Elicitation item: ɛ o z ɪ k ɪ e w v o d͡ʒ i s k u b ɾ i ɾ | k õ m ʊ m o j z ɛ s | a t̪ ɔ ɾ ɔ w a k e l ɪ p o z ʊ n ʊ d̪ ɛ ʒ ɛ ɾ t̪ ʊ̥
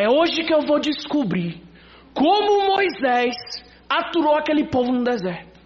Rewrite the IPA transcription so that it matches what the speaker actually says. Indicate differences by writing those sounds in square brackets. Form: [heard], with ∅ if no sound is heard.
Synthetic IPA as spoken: ɛ o [ʒ] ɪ k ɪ e w v o d͡ʒ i s k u b ɾ i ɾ | k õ m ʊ m o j z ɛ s | a t̪ [u] ɾ [o] w a k e l ɪ p o [v] ʊ n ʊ d̪ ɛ [z] ɛ ɾ t̪ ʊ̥